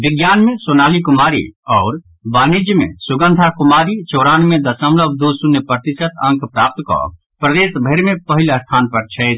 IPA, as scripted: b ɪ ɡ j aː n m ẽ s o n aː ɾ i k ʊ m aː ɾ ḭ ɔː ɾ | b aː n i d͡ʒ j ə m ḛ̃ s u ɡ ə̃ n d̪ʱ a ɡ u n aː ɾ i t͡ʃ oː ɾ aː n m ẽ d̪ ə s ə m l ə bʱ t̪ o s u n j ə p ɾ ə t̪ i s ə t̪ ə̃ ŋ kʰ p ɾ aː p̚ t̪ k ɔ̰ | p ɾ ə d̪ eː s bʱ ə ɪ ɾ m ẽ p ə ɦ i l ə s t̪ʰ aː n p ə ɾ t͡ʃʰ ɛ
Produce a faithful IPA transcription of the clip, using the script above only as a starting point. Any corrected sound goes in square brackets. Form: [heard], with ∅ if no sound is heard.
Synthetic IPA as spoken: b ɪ ɡ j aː n m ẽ s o n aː [l] i k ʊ m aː ɾ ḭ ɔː ɾ | b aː n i d͡ʒ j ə m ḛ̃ s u ɡ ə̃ n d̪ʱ a [k] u [m] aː ɾ i t͡ʃ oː ɾ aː n m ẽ d̪ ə s ə m l ə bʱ [d̪] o s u n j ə p ɾ ə t̪ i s ə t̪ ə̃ ŋ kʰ p ɾ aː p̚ t̪ k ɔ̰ | p ɾ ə d̪ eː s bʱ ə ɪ ɾ m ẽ p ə ɦ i l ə s t̪ʰ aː n p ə ɾ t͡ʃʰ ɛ